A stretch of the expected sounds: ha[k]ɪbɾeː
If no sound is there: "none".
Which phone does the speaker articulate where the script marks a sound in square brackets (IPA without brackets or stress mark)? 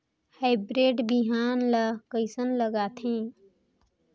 none